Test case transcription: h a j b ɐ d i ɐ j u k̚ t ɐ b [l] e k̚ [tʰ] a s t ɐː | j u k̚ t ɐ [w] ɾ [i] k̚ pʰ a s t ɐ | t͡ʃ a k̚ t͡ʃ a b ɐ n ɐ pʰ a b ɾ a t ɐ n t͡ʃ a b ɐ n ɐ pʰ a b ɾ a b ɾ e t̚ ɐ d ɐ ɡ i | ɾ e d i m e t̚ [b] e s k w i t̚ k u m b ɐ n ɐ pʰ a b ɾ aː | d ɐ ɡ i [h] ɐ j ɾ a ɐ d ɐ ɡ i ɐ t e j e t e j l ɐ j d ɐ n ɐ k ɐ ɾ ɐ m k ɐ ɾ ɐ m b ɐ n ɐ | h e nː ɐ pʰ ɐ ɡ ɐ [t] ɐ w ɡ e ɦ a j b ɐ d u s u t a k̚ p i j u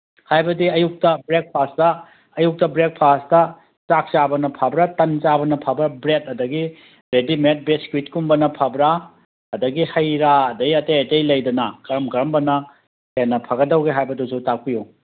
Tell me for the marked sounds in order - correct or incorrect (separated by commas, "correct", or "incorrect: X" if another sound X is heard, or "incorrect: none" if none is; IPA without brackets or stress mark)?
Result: incorrect: ɾ, incorrect: pʰ, incorrect: b, incorrect: e, correct, correct, incorrect: d